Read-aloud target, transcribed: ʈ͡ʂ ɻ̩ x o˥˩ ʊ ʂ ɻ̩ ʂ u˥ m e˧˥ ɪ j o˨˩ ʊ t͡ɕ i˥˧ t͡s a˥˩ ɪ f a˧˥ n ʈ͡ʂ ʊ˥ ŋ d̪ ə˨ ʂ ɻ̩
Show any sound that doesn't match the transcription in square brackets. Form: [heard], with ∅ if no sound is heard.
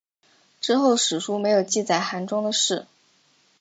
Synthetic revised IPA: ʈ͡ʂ ɻ̩ x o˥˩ ʊ ʂ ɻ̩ ʂ u˥ m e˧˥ ɪ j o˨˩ ʊ t͡ɕ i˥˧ t͡s a˥˩ ɪ [x] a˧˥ n ʈ͡ʂ ʊ˥ ŋ d̪ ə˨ ʂ ɻ̩

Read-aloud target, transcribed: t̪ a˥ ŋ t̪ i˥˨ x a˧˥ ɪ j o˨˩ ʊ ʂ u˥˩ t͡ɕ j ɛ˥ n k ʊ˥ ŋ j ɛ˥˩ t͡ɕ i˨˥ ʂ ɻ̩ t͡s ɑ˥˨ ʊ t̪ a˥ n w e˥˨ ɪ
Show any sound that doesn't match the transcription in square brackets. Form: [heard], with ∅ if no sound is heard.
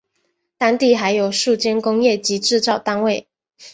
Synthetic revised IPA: t̪ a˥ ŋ t̪ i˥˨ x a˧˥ ɪ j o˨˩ ʊ ʂ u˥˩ t͡ɕ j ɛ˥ n k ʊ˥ ŋ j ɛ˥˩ t͡ɕ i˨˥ [ʈ͡ʂ] ɻ̩ t͡s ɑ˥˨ ʊ t̪ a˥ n w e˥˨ ɪ

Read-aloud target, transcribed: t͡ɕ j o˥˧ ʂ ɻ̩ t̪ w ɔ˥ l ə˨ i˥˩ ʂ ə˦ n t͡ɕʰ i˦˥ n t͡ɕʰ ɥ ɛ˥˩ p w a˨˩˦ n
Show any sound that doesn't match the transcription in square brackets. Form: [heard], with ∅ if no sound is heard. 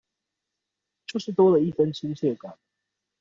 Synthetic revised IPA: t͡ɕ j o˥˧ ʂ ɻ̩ t̪ w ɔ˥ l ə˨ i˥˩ [f] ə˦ n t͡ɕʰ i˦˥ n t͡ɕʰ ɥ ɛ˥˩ [k] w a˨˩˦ n

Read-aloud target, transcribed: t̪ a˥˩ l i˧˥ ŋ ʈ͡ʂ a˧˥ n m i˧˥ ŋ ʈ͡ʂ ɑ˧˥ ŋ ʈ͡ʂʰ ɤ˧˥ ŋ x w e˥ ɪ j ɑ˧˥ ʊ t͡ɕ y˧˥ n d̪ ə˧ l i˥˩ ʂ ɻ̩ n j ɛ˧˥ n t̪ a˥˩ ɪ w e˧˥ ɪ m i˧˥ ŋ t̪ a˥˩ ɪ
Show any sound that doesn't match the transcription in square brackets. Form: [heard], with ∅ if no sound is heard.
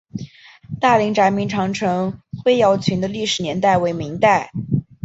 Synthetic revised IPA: t̪ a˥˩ l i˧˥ ŋ ʈ͡ʂ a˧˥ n m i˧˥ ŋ [ʈ͡ʂʰ] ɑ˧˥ ŋ ʈ͡ʂʰ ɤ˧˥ ŋ x w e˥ ɪ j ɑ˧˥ ʊ [t͡ɕʰ] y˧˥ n d̪ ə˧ l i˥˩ ʂ ɻ̩ n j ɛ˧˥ n t̪ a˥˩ ɪ w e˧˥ ɪ m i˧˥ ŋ t̪ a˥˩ ɪ

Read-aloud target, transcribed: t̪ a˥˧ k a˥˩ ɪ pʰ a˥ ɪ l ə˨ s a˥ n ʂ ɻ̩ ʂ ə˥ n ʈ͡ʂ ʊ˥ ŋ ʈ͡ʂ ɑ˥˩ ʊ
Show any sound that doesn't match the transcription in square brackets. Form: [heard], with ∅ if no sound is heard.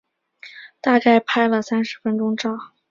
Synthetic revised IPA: t̪ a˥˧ k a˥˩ ɪ pʰ a˥ ɪ l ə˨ s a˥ n ʂ ɻ̩ [f] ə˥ n ʈ͡ʂ ʊ˥ ŋ ʈ͡ʂ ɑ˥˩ ʊ

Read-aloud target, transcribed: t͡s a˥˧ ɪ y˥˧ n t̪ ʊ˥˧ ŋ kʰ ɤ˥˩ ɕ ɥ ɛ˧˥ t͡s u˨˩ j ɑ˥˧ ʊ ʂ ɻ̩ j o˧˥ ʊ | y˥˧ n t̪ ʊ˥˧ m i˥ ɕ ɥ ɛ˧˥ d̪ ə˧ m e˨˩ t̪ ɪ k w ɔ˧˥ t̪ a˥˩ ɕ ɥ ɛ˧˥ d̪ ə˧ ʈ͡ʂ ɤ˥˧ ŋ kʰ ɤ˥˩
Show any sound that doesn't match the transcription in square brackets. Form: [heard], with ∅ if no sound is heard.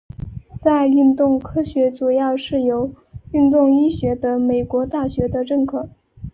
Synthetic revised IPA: t͡s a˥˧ ɪ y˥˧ n t̪ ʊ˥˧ ŋ kʰ [ɤ˥] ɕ ɥ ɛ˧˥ t͡s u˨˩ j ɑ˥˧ ʊ ʂ ɻ̩ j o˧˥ ʊ | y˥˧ n t̪ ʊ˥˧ [ŋ] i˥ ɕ ɥ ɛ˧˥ d̪ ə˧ m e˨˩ [∅] ɪ k w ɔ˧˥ t̪ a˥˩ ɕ ɥ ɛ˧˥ d̪ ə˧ ʈ͡ʂ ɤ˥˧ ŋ kʰ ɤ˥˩

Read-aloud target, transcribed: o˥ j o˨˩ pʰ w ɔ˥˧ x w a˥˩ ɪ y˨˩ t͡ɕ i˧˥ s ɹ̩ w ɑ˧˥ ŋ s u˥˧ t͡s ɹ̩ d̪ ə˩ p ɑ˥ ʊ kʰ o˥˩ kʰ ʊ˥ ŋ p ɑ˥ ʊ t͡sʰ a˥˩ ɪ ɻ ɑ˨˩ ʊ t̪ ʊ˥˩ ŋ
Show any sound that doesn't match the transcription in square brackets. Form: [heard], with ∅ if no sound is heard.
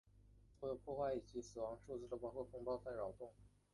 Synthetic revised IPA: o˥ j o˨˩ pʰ w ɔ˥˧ x w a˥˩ ɪ [i˨˩] t͡ɕ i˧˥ s ɹ̩ w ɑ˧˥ ŋ [ʂ] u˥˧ t͡s ɹ̩ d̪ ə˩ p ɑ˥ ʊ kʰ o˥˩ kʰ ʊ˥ ŋ p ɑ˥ ʊ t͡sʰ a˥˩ ɪ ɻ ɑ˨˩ ʊ t̪ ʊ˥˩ ŋ

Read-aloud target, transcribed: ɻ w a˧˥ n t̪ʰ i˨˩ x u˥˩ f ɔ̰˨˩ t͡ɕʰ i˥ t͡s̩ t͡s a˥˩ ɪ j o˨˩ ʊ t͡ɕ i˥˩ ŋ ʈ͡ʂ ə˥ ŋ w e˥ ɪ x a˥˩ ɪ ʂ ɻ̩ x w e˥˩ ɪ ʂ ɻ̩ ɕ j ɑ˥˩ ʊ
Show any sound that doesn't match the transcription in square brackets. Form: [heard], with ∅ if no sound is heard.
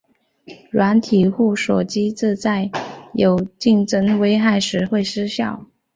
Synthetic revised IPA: ɻ w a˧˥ n t̪ʰ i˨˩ x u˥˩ [ʂ] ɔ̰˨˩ [t͡ɕ] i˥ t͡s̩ t͡s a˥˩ ɪ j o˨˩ ʊ t͡ɕ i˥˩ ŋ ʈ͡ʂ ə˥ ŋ w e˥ ɪ x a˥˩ ɪ ʂ ɻ̩ x w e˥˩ ɪ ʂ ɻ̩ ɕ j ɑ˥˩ ʊ

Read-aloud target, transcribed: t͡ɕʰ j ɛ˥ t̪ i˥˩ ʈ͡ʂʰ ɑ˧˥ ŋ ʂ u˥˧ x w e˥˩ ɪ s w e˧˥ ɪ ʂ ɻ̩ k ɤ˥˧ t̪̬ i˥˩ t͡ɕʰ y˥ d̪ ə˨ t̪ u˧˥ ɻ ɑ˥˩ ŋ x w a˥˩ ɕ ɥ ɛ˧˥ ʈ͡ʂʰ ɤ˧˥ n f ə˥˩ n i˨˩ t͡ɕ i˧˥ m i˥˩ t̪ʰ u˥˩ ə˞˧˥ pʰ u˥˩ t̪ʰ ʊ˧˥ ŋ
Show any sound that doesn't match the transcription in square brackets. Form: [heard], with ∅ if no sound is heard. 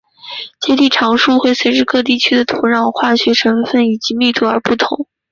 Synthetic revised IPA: [t͡ɕ] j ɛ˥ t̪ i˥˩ ʈ͡ʂʰ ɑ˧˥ ŋ ʂ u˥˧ x w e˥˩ ɪ s w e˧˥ ɪ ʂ ɻ̩ k ɤ˥˧ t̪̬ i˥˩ t͡ɕʰ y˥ d̪ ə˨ [t̪ʰ] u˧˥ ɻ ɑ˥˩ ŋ x w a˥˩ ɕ ɥ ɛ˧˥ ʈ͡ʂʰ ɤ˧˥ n f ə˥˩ n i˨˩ t͡ɕ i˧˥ m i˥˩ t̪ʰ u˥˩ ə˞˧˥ [p] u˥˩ t̪ʰ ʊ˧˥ ŋ

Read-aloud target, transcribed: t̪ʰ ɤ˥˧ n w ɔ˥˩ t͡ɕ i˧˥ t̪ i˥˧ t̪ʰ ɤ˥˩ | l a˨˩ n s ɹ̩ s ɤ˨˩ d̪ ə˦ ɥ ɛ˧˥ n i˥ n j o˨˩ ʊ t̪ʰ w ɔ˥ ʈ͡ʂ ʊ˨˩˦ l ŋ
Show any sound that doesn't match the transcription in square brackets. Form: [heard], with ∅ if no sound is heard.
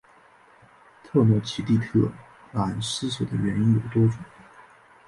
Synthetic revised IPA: t̪ʰ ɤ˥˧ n w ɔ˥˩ [t͡ɕʰ] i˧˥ t̪ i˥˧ t̪ʰ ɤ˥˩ | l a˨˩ n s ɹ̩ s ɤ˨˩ d̪ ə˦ ɥ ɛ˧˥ n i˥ n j o˨˩ ʊ [t̪] w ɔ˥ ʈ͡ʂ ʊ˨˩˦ [∅] ŋ

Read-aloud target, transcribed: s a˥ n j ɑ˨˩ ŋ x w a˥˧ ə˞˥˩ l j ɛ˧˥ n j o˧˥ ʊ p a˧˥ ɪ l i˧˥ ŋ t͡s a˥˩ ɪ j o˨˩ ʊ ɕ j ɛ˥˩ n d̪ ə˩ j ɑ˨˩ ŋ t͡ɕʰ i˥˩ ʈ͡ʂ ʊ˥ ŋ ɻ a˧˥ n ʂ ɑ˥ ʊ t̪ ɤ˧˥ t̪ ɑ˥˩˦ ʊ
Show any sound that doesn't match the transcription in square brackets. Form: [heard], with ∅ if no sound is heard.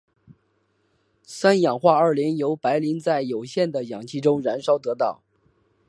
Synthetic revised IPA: s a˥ n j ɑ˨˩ ŋ x w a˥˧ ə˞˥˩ l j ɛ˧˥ n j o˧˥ ʊ p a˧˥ ɪ l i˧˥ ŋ t͡s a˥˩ ɪ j o˨˩ ʊ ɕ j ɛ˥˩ n d̪ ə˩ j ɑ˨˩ ŋ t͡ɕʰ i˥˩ ʈ͡ʂ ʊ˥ ŋ ɻ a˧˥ n ʂ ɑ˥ ʊ t̪ ɤ˧˥ t̪ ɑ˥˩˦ ʊ

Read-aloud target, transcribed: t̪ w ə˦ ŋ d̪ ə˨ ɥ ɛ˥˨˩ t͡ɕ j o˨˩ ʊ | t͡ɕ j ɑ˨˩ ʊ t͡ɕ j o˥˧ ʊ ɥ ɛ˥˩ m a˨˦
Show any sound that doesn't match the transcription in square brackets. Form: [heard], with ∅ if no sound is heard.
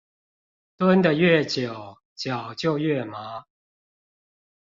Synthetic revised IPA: t̪ w ə˦ [n] d̪ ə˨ ɥ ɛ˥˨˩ t͡ɕ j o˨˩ ʊ | t͡ɕ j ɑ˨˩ ʊ t͡ɕ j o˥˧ ʊ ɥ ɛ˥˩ m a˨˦

